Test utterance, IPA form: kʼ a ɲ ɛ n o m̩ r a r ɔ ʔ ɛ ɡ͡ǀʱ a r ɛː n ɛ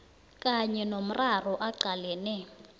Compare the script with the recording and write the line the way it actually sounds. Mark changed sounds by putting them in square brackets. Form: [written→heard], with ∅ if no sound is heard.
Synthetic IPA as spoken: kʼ a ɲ ɛ n o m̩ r a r ɔ ʔ [ɛ→a] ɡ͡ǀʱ a [r→l] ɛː n ɛ